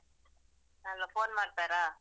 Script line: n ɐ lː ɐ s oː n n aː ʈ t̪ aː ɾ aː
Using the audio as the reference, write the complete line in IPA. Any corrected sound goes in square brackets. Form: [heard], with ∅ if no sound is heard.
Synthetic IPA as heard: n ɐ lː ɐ [f] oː n [m] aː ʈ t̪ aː ɾ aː